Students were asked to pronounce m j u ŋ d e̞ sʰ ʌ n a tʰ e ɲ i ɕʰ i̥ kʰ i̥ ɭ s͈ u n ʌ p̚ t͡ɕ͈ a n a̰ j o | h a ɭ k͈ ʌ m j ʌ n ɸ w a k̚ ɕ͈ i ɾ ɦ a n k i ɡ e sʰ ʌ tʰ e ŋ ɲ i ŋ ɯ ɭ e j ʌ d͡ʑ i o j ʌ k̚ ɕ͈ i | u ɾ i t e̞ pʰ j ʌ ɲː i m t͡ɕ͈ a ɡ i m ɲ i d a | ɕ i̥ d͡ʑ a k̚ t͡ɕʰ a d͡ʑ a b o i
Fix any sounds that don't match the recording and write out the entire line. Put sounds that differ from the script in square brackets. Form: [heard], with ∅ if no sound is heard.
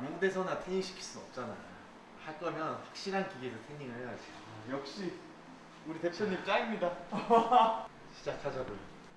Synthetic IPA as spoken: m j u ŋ d e̞ sʰ ʌ n a tʰ e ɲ i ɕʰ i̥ kʰ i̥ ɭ s͈ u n ʌ p̚ t͡ɕ͈ a n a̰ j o | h a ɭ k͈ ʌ m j ʌ n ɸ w a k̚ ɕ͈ i ɾ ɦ a n k i ɡ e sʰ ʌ tʰ e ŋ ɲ i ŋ ɯ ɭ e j [a] d͡ʑ i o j ʌ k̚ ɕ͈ i | u ɾ i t e̞ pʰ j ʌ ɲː i m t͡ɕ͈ a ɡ i m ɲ i d a | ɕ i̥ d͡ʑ a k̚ t͡ɕʰ a d͡ʑ a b o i